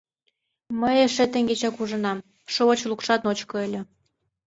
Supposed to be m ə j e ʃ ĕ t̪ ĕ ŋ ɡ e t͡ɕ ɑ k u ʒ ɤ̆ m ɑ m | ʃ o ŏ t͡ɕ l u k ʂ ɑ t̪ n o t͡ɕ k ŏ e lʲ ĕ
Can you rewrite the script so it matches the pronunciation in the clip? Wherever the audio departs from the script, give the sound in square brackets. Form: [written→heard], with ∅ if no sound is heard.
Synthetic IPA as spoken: m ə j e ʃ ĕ t̪ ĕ ŋ ɡ e t͡ɕ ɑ k u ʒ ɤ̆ [m→n] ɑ m | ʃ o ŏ t͡ɕ l u k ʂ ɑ t̪ n o t͡ɕ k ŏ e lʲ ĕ